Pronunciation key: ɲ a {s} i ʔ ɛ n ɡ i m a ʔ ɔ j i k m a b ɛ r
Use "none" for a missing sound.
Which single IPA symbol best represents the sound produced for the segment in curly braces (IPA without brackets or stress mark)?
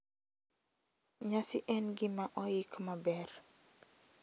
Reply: s